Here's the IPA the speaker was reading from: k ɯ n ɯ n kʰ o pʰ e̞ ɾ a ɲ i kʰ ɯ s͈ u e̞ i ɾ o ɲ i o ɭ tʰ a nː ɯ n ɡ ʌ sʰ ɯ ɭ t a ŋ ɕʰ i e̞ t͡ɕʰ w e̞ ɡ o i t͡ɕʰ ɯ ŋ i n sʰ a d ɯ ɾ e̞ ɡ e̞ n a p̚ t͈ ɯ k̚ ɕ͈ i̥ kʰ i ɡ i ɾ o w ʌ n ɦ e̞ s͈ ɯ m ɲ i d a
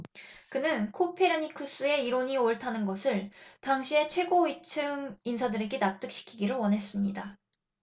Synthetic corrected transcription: k ɯ n ɯ n kʰ o pʰ e̞ ɾ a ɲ i kʰ ɯ s͈ u e̞ i ɾ o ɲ i o ɭ tʰ a n ɯ n ɡ ʌ sʰ ɯ ɭ t a ŋ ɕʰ i e̞ t͡ɕʰ w e̞ ɡ o i t͡ɕʰ ɯ ŋ i n sʰ a d ɯ ɾ e̞ ɡ e̞ n a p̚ t͈ ɯ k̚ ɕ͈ i̥ kʰ i ɡ i ɾ o w ʌ n ɦ e̞ s͈ ɯ m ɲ i d a